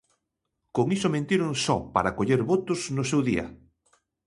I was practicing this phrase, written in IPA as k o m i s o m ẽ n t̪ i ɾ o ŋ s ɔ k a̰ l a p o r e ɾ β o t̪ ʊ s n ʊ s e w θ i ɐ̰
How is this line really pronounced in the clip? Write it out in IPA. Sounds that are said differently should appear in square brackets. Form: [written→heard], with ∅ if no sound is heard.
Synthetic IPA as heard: k o [m→ŋ] i s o m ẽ n t̪ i ɾ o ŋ s ɔ [k→p] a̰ [l→ɾ] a [p→k] o [r→ʎ] e ɾ β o t̪ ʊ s n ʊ s e w [θ→ð] i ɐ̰